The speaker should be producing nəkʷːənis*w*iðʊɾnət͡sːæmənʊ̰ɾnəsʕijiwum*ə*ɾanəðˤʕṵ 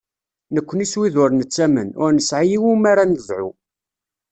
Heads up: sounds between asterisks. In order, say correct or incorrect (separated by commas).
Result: correct, incorrect